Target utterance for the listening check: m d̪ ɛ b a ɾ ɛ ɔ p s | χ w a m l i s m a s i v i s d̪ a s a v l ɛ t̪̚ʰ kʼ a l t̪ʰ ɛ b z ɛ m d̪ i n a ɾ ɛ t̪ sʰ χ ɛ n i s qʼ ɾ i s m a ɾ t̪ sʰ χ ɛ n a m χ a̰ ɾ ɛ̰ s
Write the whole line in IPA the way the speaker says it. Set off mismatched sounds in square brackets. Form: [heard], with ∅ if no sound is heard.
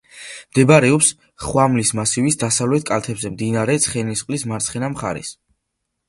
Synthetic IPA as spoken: m d̪ ɛ b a ɾ ɛ ɔ p s | χ w a m l i s m a s i v i s d̪ a s a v l ɛ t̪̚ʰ kʼ a l t̪ʰ ɛ b z ɛ m d̪ i n a ɾ ɛ t̪ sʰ χ ɛ n i s qʼ [l] i s m a ɾ t̪ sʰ χ ɛ n a m χ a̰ ɾ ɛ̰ s